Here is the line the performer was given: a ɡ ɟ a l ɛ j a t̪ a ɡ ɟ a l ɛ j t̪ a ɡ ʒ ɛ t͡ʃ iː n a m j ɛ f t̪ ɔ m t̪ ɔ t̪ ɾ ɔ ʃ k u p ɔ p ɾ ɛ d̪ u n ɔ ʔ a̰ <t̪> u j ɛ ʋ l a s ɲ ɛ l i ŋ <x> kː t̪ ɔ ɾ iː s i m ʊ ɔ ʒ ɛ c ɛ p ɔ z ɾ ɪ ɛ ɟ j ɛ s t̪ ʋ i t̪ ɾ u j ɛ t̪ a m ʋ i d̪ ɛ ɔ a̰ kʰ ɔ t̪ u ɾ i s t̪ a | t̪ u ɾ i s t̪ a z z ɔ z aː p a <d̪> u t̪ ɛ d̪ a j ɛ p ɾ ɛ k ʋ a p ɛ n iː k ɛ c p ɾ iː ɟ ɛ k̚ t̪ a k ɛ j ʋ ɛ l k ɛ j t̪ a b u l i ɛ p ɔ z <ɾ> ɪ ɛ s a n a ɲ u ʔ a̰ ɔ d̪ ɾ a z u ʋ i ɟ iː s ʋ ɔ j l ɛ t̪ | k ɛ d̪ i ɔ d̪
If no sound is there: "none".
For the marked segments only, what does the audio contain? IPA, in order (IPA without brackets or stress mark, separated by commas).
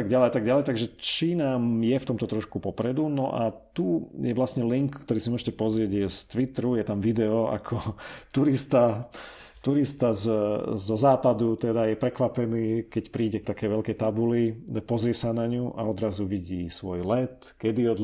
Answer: t̪, k, d̪, ɾ